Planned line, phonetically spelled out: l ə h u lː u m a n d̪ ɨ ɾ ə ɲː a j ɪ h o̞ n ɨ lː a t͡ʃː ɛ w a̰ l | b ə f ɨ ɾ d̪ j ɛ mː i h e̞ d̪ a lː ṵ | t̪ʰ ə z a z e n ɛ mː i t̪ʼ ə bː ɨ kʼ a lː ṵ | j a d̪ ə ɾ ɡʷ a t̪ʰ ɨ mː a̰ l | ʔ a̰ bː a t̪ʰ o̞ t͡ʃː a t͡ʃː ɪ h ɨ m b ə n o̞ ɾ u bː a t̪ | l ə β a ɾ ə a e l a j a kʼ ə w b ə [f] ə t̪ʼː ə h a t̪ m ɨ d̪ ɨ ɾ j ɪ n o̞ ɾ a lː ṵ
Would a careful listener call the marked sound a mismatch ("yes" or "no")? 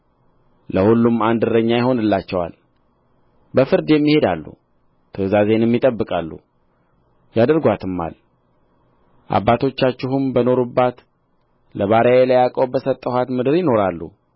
yes